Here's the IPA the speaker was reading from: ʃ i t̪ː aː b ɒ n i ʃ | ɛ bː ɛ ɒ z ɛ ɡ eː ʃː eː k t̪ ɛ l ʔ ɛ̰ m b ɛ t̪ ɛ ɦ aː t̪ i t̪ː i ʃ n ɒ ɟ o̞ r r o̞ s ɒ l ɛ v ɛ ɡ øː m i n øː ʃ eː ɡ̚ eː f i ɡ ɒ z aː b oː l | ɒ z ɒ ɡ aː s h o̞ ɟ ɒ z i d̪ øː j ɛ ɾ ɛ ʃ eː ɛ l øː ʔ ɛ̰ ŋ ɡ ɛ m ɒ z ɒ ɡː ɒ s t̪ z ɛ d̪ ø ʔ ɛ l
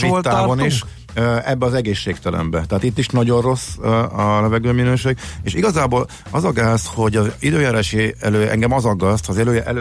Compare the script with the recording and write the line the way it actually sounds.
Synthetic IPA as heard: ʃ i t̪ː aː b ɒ n i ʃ | ɛ bː ɛ ɒ z ɛ ɡ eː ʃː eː k t̪ ɛ l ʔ ɛ̰ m b ɛ t̪ ɛ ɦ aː t̪ i t̪ː i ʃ n ɒ ɟ o̞ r r o̞ s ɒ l ɛ v ɛ ɡ øː m i n øː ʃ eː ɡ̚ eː ʃ i ɡ ɒ z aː b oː l | ɒ z ɒ ɡ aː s h o̞ ɟ ɒ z i d̪ øː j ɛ ɾ ɛ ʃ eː ɛ l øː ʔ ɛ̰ ŋ ɡ ɛ m ɒ z ɒ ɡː ɒ s t̪ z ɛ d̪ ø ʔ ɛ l